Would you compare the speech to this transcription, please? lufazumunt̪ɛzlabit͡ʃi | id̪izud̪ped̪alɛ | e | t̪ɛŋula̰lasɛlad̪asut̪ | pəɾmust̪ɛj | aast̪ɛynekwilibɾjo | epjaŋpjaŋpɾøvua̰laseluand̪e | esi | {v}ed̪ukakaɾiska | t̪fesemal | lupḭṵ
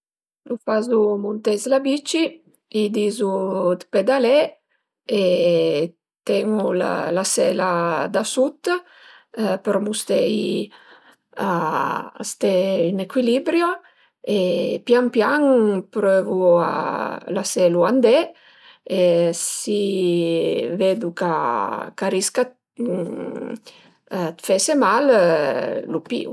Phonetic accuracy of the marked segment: correct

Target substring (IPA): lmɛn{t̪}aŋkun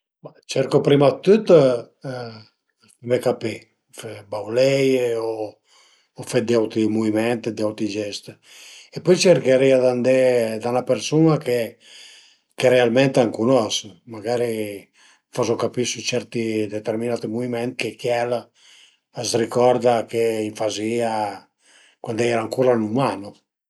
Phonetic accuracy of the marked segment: correct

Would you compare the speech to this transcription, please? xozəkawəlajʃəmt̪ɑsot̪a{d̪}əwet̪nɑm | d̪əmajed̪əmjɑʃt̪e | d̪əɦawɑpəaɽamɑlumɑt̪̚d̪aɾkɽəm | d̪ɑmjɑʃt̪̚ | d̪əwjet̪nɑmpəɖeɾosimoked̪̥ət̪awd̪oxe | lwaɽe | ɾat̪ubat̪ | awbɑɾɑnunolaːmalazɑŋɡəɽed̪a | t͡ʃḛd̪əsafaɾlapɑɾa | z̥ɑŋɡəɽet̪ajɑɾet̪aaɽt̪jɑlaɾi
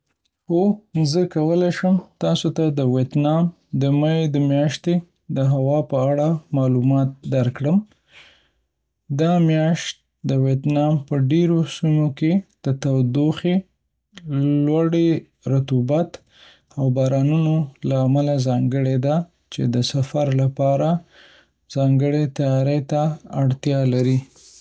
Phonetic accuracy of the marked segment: correct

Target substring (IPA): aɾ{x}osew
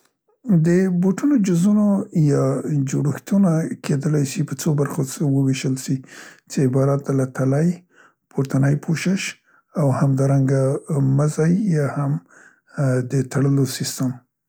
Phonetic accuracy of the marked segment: correct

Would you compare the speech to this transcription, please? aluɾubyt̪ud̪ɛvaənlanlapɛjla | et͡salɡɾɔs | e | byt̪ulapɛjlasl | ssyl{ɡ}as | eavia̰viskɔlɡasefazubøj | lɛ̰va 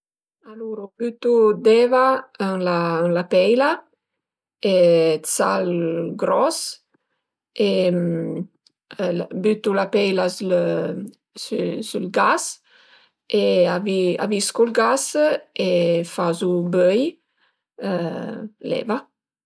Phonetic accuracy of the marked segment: correct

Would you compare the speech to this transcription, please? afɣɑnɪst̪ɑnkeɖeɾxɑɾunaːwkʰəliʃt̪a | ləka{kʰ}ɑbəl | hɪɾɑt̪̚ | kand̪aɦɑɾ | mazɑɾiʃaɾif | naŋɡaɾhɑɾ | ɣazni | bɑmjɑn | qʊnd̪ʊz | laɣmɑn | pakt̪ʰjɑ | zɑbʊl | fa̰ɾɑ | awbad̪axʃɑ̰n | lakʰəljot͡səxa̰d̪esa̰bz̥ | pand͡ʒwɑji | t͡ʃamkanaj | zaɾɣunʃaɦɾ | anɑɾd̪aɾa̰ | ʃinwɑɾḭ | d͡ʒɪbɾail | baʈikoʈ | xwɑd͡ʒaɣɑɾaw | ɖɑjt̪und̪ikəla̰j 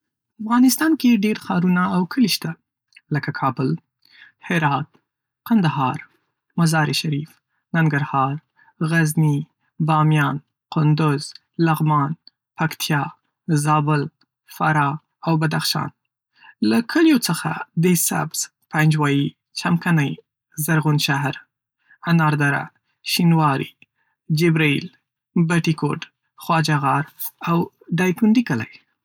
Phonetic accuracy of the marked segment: correct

